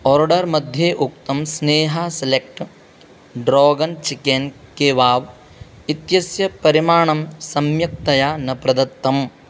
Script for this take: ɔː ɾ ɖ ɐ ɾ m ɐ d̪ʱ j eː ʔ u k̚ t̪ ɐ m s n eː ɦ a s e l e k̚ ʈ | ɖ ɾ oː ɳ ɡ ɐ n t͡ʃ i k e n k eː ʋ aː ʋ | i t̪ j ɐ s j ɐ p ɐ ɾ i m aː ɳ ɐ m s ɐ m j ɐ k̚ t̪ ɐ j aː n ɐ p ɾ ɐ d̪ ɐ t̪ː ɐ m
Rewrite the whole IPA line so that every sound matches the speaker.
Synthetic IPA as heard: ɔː ɾ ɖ ɐ ɾ m ɐ d̪ʱ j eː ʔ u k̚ t̪ ɐ m s n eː ɦ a s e l e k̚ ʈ | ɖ ɾ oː ɡ ɐ n t͡ʃ i k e n k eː ʋ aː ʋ | i t̪ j ɐ s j ɐ p ɐ ɾ i m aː ɳ ɐ m s ɐ m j ɐ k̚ t̪ ɐ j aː n ɐ p ɾ ɐ d̪ ɐ t̪ː ɐ m